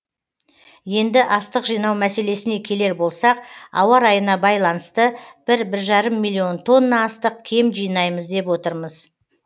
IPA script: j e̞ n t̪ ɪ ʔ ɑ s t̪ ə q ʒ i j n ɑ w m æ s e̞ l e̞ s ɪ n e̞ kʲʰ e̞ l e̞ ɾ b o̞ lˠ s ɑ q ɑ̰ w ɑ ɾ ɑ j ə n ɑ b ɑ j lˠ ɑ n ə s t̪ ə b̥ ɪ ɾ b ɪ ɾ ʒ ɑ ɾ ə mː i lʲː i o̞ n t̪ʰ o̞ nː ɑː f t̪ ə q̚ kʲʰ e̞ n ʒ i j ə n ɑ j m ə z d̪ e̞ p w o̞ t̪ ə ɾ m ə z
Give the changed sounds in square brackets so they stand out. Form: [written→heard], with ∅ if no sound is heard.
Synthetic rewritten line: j e̞ n [t̪→d̪] ɪ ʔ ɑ s t̪ ə q ʒ i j n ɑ w m æ s e̞ l e̞ s ɪ n e̞ kʲʰ e̞ l e̞ ɾ b o̞ lˠ s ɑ q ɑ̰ w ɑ ɾ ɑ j ə n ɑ b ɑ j lˠ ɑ n ə s t̪ ə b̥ ɪ ɾ b ɪ ɾ ʒ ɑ ɾ ə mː i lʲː i o̞ n t̪ʰ o̞ nː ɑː [f→s] t̪ ə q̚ kʲʰ e̞ [n→m] ʒ i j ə n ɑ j m ə z d̪ e̞ p w o̞ t̪ ə ɾ m ə z